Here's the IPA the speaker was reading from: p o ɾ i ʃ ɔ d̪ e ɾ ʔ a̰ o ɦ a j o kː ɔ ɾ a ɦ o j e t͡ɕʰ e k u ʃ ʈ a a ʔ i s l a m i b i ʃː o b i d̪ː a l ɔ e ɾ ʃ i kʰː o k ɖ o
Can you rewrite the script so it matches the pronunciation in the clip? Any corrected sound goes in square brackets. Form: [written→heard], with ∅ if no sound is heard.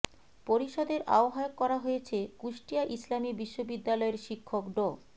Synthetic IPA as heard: p o ɾ i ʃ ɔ d̪ e ɾ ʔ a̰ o ɦ a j o kː ɔ ɾ a ɦ o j e t͡ɕʰ e k u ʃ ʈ [a→i] a ʔ i s l a m i b i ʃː o b i d̪ː a l ɔ e ɾ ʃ i kʰː o k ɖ o